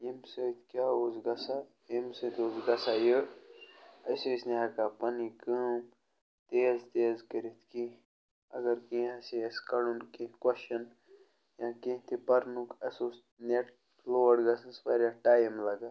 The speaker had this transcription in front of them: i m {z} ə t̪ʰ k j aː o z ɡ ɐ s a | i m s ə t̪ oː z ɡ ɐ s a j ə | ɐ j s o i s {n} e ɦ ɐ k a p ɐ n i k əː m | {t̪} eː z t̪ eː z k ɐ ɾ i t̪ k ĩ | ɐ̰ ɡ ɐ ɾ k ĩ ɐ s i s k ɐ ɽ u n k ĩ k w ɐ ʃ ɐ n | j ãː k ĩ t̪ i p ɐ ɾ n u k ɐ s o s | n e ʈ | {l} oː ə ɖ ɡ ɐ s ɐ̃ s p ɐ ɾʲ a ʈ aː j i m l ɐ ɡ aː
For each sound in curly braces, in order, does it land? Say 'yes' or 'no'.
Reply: no, yes, yes, yes

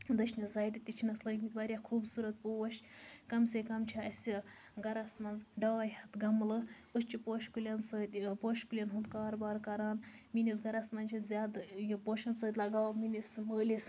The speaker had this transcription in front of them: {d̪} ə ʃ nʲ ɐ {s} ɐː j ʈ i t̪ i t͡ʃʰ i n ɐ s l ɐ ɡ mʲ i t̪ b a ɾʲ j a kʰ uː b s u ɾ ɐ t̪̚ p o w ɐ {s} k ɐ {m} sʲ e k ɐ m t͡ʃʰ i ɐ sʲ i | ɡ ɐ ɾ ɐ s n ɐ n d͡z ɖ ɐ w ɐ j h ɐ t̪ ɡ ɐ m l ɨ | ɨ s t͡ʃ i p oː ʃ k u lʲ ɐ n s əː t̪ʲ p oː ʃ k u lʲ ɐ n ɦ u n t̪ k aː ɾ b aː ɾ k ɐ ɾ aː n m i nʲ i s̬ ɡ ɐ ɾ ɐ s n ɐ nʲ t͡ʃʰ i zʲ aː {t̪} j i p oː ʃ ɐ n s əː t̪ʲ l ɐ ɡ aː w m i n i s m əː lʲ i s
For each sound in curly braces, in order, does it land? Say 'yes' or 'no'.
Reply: yes, no, no, yes, no

